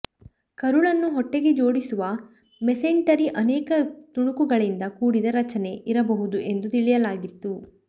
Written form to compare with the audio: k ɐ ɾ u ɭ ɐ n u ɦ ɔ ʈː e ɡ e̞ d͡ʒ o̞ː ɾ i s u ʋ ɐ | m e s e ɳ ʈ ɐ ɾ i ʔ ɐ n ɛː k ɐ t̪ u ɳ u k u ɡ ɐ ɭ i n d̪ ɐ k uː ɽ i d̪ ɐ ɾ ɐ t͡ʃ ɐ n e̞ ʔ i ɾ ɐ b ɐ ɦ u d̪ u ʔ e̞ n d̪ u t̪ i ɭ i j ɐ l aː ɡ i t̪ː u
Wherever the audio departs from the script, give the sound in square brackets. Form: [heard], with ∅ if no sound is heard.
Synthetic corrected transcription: k ɐ ɾ u ɭ ɐ [nː] u ɦ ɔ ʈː e ɡ e̞ d͡ʒ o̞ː [ɽ] i s u ʋ ɐ | m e s e ɳ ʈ ɐ ɾ i ʔ ɐ n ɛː k ɐ t̪ u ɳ u k u ɡ ɐ ɭ i n d̪ ɐ k uː ɽ i d̪ ɐ ɾ ɐ t͡ʃ ɐ n e̞ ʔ i ɾ ɐ b ɐ ɦ u d̪ u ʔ e̞ n d̪ u t̪ i ɭ i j ɐ l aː ɡ i t̪ː u

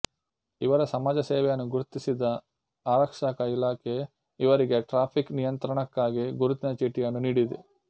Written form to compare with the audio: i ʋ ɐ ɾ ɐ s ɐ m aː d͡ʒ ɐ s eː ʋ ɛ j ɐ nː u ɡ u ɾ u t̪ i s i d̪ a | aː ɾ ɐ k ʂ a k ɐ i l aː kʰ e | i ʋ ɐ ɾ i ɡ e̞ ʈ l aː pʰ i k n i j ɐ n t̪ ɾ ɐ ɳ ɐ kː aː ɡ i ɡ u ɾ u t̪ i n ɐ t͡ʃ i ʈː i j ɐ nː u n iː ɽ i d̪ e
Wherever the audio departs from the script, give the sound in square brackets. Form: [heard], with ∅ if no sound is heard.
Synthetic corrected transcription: i ʋ ɐ ɾ ɐ s ɐ m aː d͡ʒ ɐ s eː ʋ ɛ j ɐ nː u ɡ u ɾ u t̪ i s i d̪ [ɐ] | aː ɾ ɐ k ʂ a k ɐ i l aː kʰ e | i ʋ ɐ ɾ i ɡ e̞ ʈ [ɾ] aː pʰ i k n i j ɐ n t̪ ɾ ɐ ɳ ɐ kː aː ɡ i ɡ u ɾ u t̪ i n ɐ t͡ʃ i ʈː i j ɐ nː u n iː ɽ i d̪ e

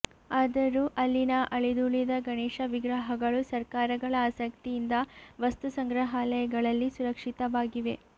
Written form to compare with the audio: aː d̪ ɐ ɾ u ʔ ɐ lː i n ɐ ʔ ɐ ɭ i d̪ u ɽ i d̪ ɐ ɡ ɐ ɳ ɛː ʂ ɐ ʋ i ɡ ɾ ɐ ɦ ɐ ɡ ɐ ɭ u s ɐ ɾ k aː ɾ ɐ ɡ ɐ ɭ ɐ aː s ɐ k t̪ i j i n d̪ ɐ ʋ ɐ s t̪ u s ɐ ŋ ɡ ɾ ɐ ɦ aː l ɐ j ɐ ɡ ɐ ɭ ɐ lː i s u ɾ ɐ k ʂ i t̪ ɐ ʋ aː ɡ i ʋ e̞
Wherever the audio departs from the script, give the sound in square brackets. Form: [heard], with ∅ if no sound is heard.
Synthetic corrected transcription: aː d̪ ɐ ɾ u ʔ ɐ lː i n ɐ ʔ ɐ ɭ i d̪ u [ɭ] i d̪ ɐ ɡ ɐ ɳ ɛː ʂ ɐ ʋ i ɡ ɾ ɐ ɦ ɐ ɡ ɐ ɭ u s ɐ ɾ k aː ɾ ɐ ɡ ɐ ɭ ɐ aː s ɐ k t̪ i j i n d̪ ɐ ʋ ɐ s t̪ u s ɐ ŋ ɡ ɾ ɐ ɦ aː l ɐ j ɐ ɡ ɐ ɭ ɐ lː i s u ɾ ɐ k ʂ i t̪ ɐ ʋ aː ɡ i ʋ e̞

